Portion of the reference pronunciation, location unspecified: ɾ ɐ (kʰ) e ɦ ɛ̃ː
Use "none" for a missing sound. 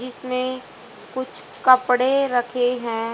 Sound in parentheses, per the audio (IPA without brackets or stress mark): kʰ